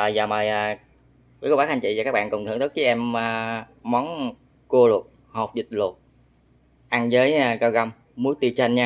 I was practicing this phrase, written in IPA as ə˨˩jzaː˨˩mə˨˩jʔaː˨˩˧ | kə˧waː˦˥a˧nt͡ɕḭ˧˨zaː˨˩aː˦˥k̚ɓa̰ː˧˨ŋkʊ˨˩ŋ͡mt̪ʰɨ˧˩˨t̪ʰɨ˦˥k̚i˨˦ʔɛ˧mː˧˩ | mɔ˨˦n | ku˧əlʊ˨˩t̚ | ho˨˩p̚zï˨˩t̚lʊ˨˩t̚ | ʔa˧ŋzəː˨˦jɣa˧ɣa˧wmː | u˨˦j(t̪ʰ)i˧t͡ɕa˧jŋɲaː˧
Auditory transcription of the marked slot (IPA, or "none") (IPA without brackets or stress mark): t̪